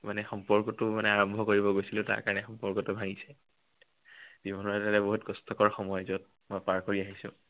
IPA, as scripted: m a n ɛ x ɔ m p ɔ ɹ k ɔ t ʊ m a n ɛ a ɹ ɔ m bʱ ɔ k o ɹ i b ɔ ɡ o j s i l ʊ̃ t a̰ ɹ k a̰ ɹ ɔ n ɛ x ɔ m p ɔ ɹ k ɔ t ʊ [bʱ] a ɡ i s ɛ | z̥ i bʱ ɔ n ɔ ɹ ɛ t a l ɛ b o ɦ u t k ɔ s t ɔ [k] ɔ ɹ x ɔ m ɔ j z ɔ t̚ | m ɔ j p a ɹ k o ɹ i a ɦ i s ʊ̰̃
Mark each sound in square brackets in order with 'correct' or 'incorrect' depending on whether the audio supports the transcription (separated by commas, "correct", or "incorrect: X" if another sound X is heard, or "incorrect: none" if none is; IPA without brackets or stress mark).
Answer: correct, correct